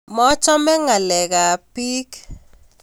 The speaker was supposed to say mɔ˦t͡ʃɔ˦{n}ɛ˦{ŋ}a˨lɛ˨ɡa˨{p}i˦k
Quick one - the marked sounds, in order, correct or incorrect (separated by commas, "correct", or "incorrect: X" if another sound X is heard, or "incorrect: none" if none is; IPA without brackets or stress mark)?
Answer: incorrect: m, correct, correct